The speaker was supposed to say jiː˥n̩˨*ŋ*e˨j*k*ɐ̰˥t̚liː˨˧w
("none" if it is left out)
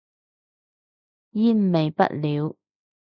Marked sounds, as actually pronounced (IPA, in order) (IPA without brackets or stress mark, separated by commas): m, p